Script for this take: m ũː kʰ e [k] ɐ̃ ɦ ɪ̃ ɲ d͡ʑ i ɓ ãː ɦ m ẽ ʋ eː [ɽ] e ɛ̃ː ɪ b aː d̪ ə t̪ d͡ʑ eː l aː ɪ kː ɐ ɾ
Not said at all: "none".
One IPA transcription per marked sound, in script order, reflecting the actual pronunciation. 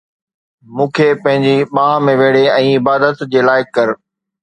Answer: p, ɽ

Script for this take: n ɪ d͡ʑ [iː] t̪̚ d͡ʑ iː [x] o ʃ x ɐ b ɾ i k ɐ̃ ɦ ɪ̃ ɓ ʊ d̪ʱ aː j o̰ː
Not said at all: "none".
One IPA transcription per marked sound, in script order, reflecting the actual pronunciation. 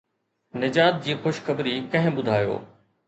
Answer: aː, x

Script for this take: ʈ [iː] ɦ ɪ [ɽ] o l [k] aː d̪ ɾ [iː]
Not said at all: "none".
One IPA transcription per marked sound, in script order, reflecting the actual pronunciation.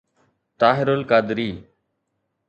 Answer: aː, ɾ, k, iː

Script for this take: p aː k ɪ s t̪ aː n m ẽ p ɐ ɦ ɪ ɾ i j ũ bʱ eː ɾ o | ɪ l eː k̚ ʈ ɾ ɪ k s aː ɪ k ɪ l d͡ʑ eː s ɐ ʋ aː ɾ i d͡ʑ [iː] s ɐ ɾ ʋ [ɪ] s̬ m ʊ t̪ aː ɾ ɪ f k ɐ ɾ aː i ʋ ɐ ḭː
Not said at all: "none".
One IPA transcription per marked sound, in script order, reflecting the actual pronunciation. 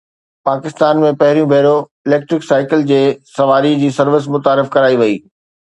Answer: iː, ɪ

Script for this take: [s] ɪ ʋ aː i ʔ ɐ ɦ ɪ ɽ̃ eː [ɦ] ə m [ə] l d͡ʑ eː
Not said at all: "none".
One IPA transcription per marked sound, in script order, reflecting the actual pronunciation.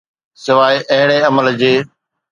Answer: s, none, ə

